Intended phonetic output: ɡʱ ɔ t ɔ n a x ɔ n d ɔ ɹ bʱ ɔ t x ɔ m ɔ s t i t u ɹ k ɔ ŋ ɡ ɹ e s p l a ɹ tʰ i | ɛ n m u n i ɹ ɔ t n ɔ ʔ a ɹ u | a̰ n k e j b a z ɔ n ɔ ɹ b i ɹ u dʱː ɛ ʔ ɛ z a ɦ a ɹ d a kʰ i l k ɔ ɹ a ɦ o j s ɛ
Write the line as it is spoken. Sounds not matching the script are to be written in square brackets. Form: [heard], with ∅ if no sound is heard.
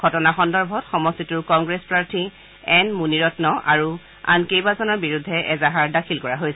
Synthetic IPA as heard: ɡʱ ɔ t ɔ n a x ɔ n d ɔ ɹ bʱ ɔ t x ɔ m ɔ s t i t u ɹ k ɔ ŋ ɡ ɹ e s p [ɹ] a ɹ tʰ i | ɛ n m u n i ɹ ɔ t n ɔ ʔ a ɹ u | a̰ n k e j b a z ɔ n ɔ ɹ b i ɹ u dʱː ɛ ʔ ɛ z a ɦ a ɹ d a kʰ i l k ɔ ɹ a ɦ o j s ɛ